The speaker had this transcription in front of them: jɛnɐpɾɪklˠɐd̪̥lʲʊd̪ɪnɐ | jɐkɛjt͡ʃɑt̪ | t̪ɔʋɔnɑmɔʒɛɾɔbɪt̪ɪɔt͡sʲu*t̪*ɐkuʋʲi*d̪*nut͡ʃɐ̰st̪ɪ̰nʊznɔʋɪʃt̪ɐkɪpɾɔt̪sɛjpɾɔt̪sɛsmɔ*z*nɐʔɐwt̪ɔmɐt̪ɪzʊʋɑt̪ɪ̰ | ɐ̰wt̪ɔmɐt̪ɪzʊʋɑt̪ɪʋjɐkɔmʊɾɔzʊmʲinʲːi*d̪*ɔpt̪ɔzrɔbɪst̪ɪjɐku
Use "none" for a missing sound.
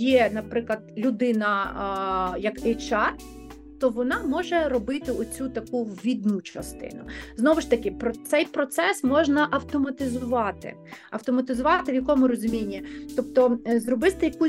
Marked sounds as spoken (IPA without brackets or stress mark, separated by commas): t̪, d̪, ʒ, t̪